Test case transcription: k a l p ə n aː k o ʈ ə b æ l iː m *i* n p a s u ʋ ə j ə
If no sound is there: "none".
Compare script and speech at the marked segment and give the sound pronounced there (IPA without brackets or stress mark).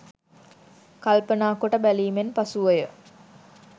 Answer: e